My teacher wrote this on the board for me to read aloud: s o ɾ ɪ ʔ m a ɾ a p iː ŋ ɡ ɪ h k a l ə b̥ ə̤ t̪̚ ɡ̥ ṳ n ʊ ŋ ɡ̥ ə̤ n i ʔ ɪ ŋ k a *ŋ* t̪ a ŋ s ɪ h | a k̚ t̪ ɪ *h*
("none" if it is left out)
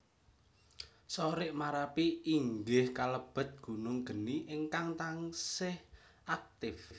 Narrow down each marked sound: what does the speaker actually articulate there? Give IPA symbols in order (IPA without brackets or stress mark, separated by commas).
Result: ŋ, f